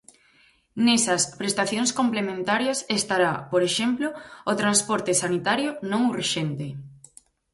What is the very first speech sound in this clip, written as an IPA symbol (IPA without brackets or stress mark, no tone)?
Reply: n